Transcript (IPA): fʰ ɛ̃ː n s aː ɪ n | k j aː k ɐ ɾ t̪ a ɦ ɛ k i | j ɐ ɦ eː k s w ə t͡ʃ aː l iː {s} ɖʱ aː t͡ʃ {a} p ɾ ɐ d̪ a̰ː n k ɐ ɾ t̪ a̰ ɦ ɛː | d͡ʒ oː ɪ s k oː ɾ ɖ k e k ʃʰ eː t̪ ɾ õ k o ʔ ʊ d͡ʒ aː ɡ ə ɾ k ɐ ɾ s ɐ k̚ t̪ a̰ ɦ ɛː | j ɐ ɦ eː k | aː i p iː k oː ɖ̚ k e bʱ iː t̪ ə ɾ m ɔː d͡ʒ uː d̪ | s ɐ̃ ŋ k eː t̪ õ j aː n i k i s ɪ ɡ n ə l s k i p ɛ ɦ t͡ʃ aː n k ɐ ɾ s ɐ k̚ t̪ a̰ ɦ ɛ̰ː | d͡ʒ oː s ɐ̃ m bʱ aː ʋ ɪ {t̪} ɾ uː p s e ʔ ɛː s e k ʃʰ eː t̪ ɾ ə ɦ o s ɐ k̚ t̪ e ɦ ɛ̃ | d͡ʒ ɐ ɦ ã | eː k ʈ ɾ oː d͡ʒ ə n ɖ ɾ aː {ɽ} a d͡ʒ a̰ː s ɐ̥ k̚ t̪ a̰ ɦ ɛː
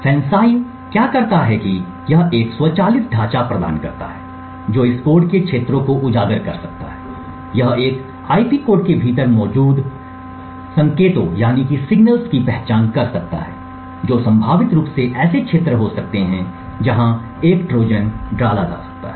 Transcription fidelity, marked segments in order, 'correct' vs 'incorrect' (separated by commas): correct, correct, correct, incorrect